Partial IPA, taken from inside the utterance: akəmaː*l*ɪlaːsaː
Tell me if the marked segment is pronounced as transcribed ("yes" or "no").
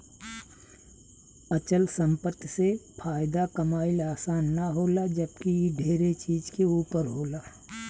no